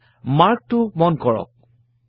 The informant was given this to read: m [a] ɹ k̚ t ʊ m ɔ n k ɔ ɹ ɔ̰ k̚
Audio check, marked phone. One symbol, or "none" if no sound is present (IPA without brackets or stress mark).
a